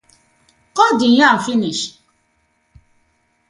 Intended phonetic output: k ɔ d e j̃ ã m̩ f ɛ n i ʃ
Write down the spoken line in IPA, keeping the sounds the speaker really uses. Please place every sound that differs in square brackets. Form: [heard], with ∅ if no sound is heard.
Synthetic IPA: k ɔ d [i] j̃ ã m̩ f [i] n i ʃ